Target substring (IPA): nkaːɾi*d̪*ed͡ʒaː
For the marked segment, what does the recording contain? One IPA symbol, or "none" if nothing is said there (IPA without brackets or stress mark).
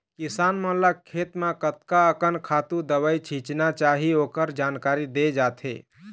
d̪